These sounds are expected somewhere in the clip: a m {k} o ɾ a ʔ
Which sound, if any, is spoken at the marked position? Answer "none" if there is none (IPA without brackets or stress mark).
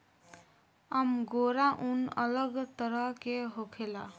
ɡ